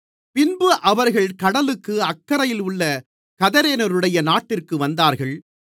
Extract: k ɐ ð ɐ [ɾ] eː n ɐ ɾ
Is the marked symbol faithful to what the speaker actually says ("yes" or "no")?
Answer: yes